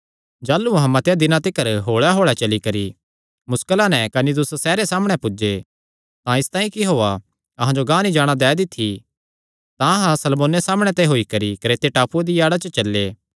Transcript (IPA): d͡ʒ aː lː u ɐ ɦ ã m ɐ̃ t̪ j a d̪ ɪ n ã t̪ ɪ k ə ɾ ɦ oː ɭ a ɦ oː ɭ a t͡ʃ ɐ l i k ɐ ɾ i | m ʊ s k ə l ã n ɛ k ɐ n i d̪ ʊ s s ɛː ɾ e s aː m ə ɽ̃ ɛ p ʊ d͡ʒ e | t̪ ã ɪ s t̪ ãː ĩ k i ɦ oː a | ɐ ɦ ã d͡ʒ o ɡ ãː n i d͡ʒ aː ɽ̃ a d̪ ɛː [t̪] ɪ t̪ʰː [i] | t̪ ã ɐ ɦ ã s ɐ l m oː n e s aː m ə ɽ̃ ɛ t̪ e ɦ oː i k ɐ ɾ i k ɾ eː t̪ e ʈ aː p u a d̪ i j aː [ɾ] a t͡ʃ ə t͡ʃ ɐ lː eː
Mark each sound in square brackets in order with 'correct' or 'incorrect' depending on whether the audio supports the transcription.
incorrect, correct, incorrect

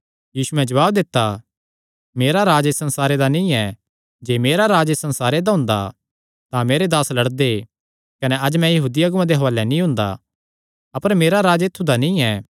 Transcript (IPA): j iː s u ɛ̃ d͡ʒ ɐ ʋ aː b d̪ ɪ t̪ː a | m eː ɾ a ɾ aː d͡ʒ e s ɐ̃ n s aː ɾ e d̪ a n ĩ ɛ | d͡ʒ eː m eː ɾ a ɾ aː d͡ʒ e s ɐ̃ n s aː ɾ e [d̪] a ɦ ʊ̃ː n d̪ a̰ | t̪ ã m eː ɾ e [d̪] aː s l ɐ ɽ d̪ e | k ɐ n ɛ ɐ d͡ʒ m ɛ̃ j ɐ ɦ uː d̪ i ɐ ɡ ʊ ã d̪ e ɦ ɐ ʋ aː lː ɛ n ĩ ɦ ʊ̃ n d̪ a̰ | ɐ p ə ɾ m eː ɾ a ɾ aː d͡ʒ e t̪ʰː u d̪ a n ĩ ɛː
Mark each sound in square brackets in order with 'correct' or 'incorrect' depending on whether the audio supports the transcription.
correct, correct

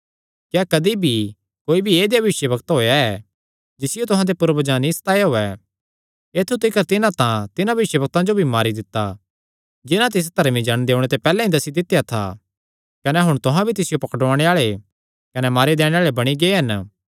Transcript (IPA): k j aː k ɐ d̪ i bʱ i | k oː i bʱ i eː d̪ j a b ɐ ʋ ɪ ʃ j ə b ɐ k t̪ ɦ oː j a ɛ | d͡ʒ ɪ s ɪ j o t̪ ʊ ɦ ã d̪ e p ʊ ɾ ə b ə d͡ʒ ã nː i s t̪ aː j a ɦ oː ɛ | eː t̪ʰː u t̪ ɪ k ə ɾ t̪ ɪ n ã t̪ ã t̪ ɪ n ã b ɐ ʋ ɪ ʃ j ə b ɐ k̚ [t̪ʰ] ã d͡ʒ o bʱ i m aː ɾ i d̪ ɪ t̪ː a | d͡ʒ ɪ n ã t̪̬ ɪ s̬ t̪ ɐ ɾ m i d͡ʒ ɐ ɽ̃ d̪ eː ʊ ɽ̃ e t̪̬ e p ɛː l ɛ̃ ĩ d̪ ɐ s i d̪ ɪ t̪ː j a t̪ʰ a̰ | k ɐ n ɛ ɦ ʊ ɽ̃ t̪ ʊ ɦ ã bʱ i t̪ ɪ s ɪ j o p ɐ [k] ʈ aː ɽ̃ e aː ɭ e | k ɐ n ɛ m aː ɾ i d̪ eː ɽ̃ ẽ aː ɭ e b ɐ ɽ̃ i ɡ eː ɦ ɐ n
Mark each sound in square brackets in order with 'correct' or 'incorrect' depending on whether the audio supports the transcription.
incorrect, correct

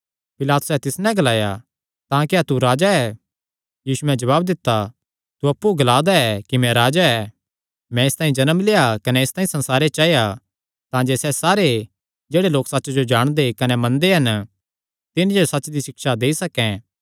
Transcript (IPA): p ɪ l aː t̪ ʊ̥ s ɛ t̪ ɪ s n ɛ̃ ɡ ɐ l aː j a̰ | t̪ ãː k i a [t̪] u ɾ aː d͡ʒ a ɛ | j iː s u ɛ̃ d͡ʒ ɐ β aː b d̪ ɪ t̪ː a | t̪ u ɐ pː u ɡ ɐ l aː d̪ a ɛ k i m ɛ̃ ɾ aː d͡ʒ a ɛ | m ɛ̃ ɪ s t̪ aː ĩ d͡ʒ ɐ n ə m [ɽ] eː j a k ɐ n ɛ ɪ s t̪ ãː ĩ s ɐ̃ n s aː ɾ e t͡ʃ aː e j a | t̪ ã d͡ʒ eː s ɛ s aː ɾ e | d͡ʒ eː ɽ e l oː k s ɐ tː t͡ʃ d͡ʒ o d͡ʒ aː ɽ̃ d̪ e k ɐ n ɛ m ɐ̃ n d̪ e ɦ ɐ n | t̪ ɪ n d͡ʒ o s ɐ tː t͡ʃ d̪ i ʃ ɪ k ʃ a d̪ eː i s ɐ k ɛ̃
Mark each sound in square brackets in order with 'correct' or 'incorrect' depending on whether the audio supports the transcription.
correct, incorrect

